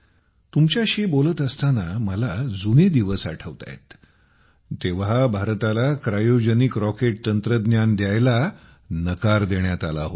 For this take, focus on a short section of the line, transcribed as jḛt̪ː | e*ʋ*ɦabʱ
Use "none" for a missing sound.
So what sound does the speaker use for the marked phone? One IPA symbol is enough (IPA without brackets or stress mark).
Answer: ʋ